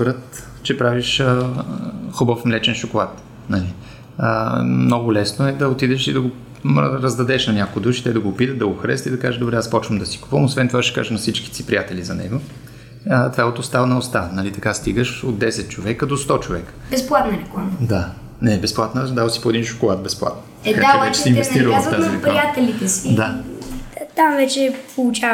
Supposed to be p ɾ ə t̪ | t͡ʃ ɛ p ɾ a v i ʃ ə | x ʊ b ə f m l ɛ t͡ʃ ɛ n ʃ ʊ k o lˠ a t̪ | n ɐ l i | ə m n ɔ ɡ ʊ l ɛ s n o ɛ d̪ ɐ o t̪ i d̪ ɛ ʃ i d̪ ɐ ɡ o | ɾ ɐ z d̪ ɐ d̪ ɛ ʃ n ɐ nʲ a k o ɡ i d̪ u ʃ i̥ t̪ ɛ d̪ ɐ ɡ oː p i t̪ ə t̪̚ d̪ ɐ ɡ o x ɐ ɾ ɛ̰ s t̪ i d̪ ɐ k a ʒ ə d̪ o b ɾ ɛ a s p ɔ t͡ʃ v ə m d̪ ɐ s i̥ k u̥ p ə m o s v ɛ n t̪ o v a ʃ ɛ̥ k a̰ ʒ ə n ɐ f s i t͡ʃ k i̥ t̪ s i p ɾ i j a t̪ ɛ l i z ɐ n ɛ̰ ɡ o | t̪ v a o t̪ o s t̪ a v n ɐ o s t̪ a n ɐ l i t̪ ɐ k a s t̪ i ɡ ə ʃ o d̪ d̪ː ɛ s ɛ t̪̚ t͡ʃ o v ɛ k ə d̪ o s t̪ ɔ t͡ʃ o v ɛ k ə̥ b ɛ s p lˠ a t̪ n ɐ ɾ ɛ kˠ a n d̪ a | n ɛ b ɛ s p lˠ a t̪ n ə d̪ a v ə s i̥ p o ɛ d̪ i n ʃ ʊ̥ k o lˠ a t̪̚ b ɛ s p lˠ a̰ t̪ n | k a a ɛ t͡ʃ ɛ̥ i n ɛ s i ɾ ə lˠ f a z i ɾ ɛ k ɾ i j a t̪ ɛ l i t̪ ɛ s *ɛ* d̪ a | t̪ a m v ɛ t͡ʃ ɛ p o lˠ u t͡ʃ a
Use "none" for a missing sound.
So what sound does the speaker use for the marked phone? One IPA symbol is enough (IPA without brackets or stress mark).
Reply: i